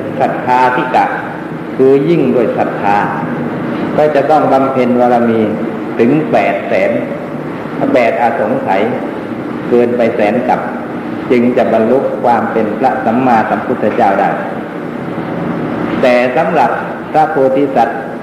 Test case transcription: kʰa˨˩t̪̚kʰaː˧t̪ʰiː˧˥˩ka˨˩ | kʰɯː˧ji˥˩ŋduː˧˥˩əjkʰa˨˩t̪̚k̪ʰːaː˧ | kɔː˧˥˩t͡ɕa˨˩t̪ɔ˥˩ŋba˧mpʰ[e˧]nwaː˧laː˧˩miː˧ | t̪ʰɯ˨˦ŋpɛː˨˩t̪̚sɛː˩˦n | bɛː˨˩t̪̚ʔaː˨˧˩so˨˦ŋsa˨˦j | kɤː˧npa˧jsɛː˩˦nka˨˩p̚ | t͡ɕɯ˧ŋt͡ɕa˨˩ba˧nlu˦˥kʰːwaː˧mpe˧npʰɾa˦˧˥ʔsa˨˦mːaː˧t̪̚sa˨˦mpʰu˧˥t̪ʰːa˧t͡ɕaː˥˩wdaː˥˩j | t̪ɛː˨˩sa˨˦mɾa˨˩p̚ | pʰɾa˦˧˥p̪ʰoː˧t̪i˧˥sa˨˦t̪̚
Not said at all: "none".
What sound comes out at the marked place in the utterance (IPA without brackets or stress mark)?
e˧